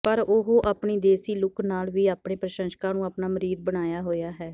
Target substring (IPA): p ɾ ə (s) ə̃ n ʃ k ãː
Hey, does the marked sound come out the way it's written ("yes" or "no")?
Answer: no